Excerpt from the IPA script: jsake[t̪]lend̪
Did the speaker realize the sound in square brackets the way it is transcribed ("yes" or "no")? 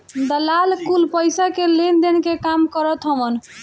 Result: no